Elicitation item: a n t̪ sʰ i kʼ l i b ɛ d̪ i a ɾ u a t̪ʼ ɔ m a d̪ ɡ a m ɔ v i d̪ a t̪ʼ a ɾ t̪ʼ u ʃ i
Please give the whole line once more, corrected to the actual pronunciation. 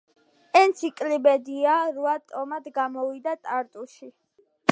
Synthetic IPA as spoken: ɛ n t̪ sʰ i kʼ l i b ɛ d̪ i a ɾ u a t̪ʼ ɔ m a d̪ ɡ a m ɔ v i d̪ a t̪ʼ a ɾ t̪ʼ u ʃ i